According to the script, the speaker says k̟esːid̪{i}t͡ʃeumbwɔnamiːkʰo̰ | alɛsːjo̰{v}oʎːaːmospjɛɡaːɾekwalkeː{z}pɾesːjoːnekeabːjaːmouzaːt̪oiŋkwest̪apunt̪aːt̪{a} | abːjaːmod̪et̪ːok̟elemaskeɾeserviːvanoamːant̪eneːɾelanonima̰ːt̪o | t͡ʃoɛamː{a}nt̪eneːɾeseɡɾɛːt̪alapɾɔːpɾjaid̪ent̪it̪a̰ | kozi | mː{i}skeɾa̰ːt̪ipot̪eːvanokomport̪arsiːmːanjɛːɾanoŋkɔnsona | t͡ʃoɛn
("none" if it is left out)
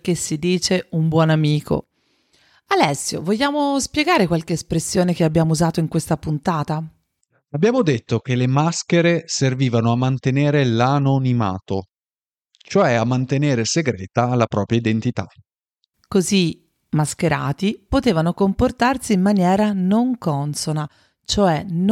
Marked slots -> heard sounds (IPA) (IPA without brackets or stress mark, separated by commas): iː, v, s, a, a, a